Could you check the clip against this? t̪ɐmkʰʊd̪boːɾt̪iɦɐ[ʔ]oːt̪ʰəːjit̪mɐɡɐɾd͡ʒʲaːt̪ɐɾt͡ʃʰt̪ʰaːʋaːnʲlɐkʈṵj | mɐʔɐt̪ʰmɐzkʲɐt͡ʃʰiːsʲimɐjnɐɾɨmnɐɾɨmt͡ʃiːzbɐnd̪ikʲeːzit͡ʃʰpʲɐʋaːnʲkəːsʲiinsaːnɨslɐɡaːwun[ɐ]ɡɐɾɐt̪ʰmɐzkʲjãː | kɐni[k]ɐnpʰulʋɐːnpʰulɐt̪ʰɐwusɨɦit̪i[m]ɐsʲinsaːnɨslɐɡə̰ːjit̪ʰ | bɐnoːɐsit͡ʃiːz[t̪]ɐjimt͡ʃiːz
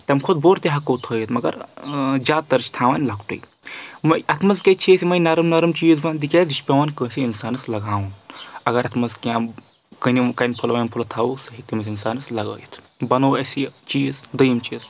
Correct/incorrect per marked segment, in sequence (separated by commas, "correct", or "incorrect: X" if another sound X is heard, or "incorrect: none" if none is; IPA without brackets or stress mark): incorrect: k, correct, correct, correct, incorrect: d̪